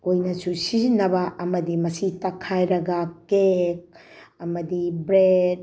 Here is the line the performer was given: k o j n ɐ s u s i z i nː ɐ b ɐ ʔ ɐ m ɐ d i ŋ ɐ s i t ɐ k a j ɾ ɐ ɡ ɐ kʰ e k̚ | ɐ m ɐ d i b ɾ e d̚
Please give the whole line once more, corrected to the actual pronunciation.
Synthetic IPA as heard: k o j n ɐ s u s i z i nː ɐ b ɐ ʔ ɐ m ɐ d i m ɐ s i t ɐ kʰ a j ɾ ɐ ɡ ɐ k e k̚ | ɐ m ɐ d i b ɾ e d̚